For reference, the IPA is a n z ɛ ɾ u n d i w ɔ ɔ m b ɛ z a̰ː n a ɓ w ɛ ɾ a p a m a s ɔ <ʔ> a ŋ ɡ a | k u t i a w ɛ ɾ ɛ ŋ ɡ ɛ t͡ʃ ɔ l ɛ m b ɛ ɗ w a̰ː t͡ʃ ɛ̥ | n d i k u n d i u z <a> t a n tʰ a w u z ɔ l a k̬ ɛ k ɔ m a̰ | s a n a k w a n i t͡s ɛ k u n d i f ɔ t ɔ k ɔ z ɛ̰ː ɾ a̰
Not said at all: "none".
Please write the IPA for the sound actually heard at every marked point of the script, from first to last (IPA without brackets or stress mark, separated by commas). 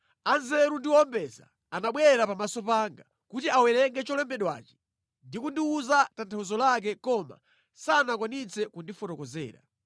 p, a